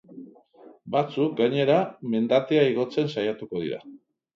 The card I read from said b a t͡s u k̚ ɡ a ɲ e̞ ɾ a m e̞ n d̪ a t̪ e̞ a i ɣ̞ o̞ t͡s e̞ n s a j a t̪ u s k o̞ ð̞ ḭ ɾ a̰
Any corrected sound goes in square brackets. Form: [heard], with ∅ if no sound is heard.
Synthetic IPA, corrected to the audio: b a t͡s u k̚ ɡ a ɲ e̞ ɾ a m e̞ n d̪ a t̪ e̞ a i ɣ̞ o̞ t͡s e̞ n s a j a t̪ u [∅] k o̞ ð̞ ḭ ɾ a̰

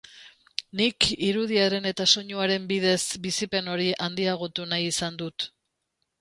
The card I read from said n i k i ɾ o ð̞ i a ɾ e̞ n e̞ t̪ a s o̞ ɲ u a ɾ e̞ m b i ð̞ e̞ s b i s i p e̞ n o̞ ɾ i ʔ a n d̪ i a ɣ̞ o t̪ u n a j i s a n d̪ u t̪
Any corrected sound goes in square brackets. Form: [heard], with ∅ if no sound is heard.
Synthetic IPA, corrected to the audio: n i k i ɾ [u] ð̞ i a ɾ e̞ n e̞ t̪ a s o̞ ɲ u a ɾ e̞ m b i ð̞ e̞ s b i s i p e̞ n o̞ ɾ i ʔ a n d̪ i a ɣ̞ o t̪ u n a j i s a n d̪ u t̪

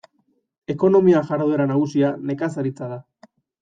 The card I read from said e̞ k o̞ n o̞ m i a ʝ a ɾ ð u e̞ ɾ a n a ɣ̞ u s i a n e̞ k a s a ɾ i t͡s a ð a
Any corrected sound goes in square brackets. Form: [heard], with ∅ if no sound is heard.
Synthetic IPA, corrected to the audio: e̞ k o̞ n o̞ m i a ʝ a ɾ ð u e̞ ɾ a n a ɣ̞ u s i a n e̞ k a s a ɾ i t͡s a ð a

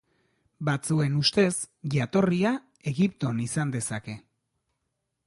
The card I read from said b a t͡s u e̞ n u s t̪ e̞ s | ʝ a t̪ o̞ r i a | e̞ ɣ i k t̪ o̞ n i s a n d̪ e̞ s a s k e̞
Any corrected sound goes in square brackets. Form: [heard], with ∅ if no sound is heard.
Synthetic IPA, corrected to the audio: b a t͡s u e̞ n u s t̪ e̞ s | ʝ a t̪ o̞ r i a | e̞ ɣ i [p] t̪ o̞ n i s a n d̪ e̞ s a [∅] k e̞

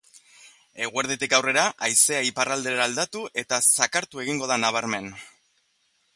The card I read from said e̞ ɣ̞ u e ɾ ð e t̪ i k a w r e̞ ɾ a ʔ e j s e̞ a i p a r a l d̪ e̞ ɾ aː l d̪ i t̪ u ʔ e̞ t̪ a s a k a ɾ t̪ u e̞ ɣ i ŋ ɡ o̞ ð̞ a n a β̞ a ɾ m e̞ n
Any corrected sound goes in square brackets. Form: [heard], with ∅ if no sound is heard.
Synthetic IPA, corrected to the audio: e̞ ɣ̞ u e ɾ ð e t̪ i k a w r e̞ ɾ a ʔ [a] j s e̞ a i p a r a l d̪ e̞ ɾ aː l d̪ [a] t̪ u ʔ e̞ t̪ a s a k a ɾ t̪ u e̞ ɣ i ŋ ɡ o̞ ð̞ a n a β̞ a ɾ m e̞ n

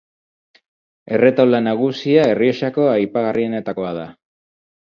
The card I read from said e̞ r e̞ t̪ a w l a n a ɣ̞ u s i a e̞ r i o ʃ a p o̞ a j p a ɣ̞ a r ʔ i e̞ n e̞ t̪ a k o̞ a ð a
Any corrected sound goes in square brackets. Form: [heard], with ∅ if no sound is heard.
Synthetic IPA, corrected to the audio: e̞ r e̞ t̪ a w l a n a ɣ̞ u s i a e̞ r i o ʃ a [k] o̞ a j p a ɣ̞ a r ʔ i e̞ n e̞ t̪ a k o̞ a ð a

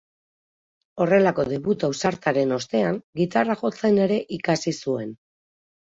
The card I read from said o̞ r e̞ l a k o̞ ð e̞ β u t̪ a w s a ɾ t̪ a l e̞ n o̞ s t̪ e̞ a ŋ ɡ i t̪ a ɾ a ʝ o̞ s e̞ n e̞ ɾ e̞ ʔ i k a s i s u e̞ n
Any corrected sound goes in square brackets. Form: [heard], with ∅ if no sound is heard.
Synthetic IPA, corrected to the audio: o̞ r e̞ l a k o̞ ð e̞ β u t̪ a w s a ɾ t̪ a [ɾ] e̞ n o̞ s t̪ e̞ a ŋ ɡ i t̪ a [r] a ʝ o̞ [t͡s] e̞ n e̞ ɾ e̞ ʔ i k a s i s u e̞ n

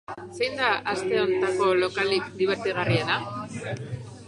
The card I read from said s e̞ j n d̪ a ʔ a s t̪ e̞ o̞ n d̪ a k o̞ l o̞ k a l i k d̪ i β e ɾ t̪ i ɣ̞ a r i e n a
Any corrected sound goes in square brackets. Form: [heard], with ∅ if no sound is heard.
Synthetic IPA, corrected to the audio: s e̞ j n d̪ a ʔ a s t̪ e̞ o̞ n [t̪] a k o̞ l o̞ k a l i k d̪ i β e ɾ t̪ i ɣ̞ a r i e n a

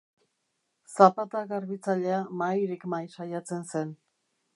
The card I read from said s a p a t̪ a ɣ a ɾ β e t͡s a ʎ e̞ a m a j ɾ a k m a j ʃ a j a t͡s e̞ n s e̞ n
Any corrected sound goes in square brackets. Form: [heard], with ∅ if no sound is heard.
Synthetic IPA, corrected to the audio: s a p a t̪ a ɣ a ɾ β [i] t͡s a ʎ e̞ a m a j ɾ [i] k m a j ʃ a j a t͡s e̞ n s e̞ n

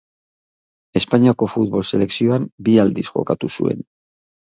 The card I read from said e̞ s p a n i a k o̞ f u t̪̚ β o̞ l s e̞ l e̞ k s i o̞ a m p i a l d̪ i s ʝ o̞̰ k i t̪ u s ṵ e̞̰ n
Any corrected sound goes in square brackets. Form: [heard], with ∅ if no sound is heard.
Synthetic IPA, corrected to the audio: e̞ s p a [ɲ] i a k o̞ f u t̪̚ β o̞ l s e̞ l e̞ k s i o̞ a m [b] i a l d̪ i s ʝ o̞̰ k [a] t̪ u s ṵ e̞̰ n

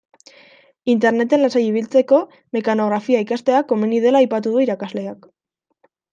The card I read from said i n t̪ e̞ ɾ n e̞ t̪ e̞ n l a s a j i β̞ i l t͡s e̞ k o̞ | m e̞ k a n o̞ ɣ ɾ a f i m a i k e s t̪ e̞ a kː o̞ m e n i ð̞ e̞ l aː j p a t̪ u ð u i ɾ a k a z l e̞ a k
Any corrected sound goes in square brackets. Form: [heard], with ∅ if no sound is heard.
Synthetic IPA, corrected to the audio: i n t̪ e̞ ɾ n e̞ t̪ e̞ n l a s a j i β̞ i l t͡s e̞ k o̞ | m e̞ k a n o̞ ɣ ɾ a f i [∅] a i k [a] s t̪ e̞ a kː o̞ m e n i ð̞ e̞ l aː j p a t̪ u ð u i ɾ a k a z l e̞ a k

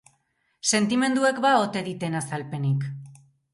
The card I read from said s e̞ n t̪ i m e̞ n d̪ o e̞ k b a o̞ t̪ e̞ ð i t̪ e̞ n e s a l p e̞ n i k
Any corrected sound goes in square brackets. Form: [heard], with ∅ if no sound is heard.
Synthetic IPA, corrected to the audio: s e̞ n t̪ i m e̞ n d̪ [u] e̞ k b a o̞ t̪ e̞ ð i t̪ e̞ n [a] s a l p e̞ n i k

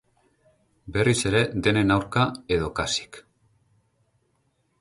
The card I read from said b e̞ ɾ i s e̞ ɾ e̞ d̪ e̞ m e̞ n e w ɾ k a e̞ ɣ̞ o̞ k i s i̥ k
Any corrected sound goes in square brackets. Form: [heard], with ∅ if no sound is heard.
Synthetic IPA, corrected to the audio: b e̞ [r] i s e̞ ɾ e̞ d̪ e̞ [n] e̞ n [a] w ɾ k a e̞ [ð̞] o̞ k [a] s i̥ k

